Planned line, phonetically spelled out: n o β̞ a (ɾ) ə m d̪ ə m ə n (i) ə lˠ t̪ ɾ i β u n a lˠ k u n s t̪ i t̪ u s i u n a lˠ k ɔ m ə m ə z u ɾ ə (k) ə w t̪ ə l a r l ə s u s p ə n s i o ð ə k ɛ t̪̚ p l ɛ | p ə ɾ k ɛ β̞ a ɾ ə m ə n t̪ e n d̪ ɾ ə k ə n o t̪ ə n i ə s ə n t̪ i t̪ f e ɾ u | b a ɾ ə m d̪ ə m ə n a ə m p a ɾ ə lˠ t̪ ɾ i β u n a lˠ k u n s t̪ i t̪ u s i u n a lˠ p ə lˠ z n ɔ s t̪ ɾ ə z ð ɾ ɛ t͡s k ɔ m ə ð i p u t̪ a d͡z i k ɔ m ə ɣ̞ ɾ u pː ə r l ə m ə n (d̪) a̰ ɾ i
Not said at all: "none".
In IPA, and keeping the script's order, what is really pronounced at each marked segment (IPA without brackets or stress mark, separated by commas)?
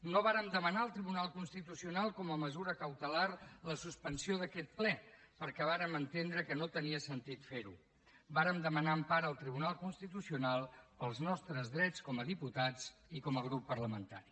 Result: ɾ, a, k, t̪